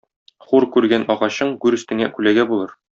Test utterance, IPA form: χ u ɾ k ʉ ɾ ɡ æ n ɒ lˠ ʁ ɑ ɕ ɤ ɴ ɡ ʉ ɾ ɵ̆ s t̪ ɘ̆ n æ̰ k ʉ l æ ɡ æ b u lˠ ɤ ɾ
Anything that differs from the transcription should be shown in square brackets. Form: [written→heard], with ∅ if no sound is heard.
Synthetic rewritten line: χ u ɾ k ʉ ɾ ɡ æ n ɒ [lˠ→∅] ʁ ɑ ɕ ɤ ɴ ɡ ʉ ɾ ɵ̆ s t̪ ɘ̆ [n→ŋ] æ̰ k ʉ l æ ɡ æ b u lˠ ɤ ɾ